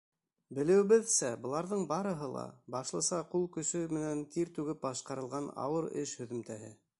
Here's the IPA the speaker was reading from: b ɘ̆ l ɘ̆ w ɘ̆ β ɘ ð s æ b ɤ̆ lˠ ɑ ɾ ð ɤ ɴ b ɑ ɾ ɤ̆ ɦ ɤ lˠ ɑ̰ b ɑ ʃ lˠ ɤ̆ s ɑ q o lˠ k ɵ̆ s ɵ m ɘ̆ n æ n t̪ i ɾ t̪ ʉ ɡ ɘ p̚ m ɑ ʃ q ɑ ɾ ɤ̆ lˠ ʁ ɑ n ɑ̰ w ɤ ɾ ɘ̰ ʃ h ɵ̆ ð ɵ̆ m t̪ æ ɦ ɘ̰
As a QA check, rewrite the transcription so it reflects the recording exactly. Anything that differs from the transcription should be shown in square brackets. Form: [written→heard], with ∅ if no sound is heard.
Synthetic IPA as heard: b ɘ̆ l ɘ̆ w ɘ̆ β ɘ ð s æ b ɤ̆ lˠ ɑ ɾ ð ɤ ɴ b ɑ ɾ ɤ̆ ɦ ɤ lˠ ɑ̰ b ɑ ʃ lˠ ɤ̆ s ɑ q [o→u] lˠ k ɵ̆ s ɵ m ɘ̆ n æ n t̪ i ɾ t̪ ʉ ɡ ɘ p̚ [m→b] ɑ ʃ q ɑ ɾ ɤ̆ lˠ ʁ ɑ n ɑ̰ w ɤ ɾ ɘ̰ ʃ h ɵ̆ ð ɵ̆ m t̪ æ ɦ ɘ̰

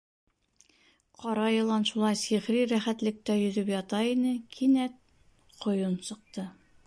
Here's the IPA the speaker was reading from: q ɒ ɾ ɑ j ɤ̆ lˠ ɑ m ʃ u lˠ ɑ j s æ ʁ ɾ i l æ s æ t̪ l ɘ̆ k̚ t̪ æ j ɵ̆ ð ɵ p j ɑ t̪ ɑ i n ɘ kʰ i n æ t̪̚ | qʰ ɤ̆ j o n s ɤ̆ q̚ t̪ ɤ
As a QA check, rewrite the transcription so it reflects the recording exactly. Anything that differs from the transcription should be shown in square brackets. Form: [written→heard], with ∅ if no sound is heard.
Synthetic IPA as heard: q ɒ ɾ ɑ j ɤ̆ lˠ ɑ [m→n] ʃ u lˠ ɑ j s [æ→i] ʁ ɾ i [l→ɾ] æ [s→χ] æ t̪ l ɘ̆ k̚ t̪ æ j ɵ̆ ð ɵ p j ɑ t̪ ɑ i n ɘ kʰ i n æ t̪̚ | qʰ [ɤ̆→ŏ] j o n s ɤ̆ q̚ t̪ ɤ

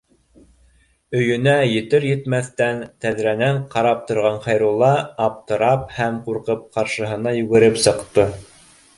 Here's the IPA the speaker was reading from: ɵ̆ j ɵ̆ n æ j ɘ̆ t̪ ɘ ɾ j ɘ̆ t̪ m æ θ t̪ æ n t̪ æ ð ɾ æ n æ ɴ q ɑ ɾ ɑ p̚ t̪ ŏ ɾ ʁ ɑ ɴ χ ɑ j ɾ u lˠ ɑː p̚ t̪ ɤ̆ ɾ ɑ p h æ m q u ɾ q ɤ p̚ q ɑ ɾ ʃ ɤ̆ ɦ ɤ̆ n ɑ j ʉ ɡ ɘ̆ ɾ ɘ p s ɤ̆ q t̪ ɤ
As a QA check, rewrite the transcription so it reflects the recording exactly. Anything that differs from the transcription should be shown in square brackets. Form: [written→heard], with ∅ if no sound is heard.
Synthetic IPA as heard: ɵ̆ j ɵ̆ n æ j ɘ̆ t̪ ɘ ɾ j ɘ̆ t̪ m æ θ t̪ æ n t̪ æ ð ɾ æ n æ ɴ q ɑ ɾ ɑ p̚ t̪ ŏ ɾ ʁ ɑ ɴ χ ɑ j ɾ u lˠ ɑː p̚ t̪ ɤ̆ ɾ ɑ p h æ m q u ɾ q ɤ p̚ q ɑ ɾ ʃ ɤ̆ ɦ ɤ̆ n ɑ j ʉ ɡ ɘ̆ ɾ ɘ p s ɤ̆ q t̪ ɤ

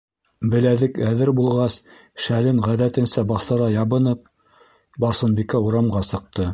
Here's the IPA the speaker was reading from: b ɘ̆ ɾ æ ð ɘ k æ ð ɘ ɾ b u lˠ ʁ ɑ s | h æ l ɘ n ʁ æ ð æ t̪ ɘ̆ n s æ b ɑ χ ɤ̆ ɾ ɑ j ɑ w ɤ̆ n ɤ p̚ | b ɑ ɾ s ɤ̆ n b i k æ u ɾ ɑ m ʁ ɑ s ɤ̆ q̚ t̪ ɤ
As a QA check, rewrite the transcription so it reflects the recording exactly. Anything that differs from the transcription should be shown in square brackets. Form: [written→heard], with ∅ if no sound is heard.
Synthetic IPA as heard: b ɘ̆ [ɾ→l] æ ð ɘ k æ ð ɘ ɾ b u lˠ ʁ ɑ s | [h→ʃ] æ l ɘ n ʁ æ ð æ t̪ ɘ̆ n s æ b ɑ [χ→θ] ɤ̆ ɾ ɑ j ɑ [w→β] ɤ̆ n ɤ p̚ | b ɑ ɾ s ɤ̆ n b i k æ u ɾ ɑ m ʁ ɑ s ɤ̆ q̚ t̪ ɤ

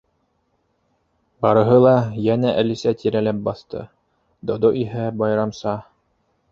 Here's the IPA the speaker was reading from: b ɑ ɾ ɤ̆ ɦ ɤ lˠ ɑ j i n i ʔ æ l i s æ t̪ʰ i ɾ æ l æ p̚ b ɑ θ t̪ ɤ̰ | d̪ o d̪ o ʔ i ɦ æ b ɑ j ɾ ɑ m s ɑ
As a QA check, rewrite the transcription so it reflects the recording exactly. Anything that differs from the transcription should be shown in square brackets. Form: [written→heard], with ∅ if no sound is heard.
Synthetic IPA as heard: b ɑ ɾ ɤ̆ ɦ ɤ lˠ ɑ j [i→æ] n [i→æ] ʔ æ l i s æ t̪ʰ i ɾ æ l æ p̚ b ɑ θ t̪ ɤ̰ | d̪ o d̪ o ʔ i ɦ æ b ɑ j ɾ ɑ m s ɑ

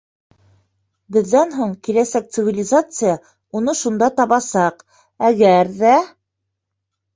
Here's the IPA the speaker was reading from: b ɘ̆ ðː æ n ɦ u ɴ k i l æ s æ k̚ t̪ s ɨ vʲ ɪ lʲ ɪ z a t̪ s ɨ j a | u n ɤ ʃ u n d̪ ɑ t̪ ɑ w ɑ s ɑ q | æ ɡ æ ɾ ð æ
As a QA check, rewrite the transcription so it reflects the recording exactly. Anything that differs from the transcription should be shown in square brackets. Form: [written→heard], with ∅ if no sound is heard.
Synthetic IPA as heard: b ɘ̆ ðː æ n ɦ u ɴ k i l æ s æ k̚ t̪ s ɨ vʲ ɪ lʲ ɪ z a t̪ s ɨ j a | u n ɤ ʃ u n d̪ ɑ t̪ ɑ [w→β] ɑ s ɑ q | æ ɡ æ ɾ ð æ

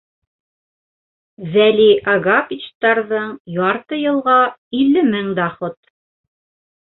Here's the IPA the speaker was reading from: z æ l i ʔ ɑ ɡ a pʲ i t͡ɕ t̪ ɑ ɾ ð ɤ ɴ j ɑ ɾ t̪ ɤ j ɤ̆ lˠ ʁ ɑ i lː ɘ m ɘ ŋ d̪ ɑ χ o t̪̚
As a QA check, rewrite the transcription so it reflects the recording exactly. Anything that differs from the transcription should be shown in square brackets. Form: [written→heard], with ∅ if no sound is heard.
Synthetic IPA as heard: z æ l i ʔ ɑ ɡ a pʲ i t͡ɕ t̪ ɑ ɾ ð ɤ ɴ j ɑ ɾ t̪ ɤ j ɤ̆ lˠ ʁ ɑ i lː ɘ m ɘ ŋ d̪ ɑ χ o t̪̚

